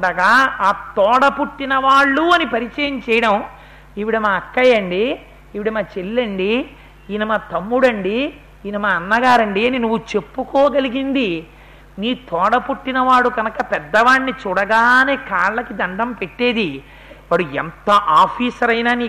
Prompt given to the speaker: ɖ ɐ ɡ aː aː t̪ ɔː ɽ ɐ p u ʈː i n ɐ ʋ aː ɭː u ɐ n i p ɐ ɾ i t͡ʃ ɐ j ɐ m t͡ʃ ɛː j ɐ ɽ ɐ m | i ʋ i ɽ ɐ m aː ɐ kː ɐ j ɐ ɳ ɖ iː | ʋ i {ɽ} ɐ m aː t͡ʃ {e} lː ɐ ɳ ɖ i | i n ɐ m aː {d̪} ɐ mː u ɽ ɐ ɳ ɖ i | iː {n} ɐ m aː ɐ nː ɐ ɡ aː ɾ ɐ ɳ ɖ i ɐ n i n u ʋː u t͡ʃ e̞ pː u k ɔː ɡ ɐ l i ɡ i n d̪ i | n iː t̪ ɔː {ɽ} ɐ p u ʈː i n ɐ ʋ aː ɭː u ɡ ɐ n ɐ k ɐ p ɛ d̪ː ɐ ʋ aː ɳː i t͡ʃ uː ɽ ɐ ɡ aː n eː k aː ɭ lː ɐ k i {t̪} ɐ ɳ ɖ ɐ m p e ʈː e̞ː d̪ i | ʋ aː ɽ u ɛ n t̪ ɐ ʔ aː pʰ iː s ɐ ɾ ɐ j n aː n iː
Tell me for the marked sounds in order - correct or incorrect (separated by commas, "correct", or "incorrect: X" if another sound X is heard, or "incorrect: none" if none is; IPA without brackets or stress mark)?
correct, correct, incorrect: t̪, correct, correct, incorrect: d̪